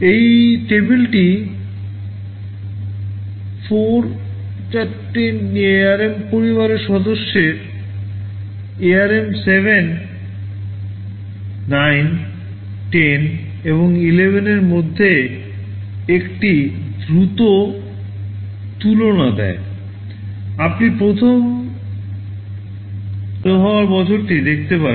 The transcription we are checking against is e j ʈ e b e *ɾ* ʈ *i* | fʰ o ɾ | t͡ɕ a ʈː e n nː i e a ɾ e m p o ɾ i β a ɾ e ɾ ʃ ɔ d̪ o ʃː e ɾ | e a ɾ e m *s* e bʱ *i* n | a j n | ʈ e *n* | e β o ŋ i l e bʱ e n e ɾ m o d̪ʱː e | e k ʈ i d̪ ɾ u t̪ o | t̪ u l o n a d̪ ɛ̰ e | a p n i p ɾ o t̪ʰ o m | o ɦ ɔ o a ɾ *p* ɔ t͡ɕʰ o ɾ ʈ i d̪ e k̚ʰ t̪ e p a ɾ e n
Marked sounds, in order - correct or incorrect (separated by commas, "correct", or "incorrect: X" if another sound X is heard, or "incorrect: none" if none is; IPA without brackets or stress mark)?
incorrect: l, correct, correct, incorrect: e, correct, incorrect: b